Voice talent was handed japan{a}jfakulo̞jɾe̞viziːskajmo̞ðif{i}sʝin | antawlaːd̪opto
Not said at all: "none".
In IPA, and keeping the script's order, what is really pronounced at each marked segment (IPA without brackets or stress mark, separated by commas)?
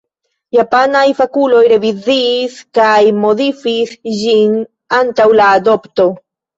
a, i